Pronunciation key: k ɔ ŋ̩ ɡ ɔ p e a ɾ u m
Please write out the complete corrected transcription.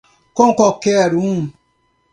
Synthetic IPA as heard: k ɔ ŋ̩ k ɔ k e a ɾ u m